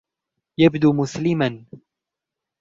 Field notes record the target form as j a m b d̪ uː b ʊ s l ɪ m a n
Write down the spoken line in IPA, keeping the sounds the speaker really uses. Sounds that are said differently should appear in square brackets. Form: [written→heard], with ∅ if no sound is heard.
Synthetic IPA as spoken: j a [m→∅] b d̪ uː [b→m] ʊ s l ɪ m a n